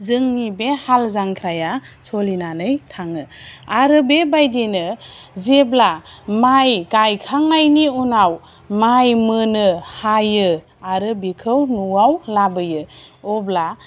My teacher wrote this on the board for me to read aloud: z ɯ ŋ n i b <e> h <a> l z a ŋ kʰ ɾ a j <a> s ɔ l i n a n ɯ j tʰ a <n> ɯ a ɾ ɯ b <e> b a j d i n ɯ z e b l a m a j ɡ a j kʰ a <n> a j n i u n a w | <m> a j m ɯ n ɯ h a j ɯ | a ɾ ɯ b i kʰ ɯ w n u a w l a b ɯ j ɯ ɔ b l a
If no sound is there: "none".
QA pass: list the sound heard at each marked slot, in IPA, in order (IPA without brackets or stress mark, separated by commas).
e, a, a, ŋ, e, ŋ, m